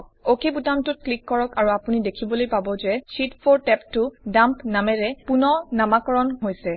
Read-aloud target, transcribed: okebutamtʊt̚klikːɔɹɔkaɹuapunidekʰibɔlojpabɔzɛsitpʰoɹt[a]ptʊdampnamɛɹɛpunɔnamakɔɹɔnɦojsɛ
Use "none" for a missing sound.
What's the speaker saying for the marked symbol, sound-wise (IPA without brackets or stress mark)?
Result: ɛ